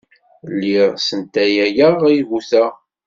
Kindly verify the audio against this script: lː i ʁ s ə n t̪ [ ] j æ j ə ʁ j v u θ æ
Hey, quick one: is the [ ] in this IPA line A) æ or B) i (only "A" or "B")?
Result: A